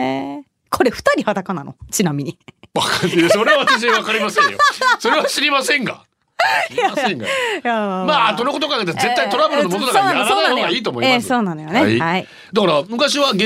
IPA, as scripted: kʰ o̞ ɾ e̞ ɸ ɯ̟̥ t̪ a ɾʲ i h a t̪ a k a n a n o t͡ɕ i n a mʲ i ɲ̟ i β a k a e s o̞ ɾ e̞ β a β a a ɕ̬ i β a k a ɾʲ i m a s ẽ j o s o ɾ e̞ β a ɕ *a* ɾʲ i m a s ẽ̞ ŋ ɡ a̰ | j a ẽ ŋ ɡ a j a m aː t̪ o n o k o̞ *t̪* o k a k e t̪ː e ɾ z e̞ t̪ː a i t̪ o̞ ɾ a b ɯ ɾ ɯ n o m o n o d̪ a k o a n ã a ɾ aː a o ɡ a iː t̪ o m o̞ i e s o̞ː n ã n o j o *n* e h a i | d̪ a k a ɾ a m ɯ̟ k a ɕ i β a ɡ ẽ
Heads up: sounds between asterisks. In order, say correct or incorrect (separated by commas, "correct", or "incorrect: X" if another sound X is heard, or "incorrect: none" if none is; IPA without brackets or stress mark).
incorrect: i, correct, correct